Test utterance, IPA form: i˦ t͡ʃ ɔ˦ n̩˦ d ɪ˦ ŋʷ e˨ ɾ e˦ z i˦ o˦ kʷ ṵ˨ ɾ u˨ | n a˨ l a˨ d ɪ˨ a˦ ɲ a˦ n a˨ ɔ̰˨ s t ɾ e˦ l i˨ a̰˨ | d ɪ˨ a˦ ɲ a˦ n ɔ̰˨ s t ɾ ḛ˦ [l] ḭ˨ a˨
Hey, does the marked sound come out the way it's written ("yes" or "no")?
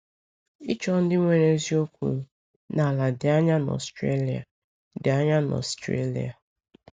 yes